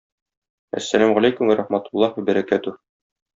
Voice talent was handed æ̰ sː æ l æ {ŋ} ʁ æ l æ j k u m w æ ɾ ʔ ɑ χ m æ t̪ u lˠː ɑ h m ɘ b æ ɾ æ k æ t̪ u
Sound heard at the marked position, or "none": m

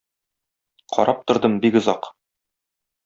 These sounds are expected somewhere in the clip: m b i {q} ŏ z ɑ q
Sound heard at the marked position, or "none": k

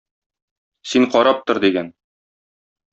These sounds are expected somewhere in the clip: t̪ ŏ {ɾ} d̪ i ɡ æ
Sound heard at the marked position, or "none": ɾ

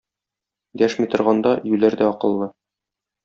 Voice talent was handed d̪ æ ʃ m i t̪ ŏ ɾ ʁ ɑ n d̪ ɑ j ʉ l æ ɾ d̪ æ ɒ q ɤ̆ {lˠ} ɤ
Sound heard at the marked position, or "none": lˠː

